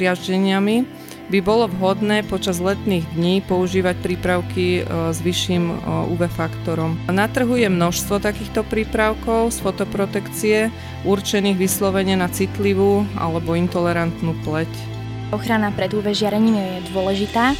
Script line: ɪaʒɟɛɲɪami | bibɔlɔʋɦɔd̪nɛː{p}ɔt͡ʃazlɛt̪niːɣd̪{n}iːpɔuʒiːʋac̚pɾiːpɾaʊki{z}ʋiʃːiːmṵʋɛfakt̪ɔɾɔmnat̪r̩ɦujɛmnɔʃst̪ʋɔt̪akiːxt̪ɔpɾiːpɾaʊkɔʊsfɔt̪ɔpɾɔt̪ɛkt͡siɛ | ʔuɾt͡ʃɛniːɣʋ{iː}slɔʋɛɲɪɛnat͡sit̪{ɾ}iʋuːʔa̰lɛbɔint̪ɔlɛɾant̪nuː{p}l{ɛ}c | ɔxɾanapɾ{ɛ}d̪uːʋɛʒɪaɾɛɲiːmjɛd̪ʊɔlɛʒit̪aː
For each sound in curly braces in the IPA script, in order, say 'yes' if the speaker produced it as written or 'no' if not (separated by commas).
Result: yes, no, yes, no, no, yes, yes, yes